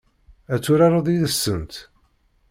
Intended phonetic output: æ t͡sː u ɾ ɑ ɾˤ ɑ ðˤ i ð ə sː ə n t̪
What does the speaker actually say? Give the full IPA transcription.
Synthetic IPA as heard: æ t͡sː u ɾ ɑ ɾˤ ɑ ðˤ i ð ə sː ə n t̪